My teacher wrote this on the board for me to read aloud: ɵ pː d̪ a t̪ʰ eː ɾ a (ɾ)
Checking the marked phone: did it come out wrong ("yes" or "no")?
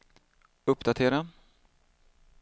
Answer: yes